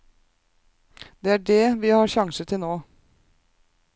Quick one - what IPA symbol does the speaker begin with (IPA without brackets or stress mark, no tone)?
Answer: d̪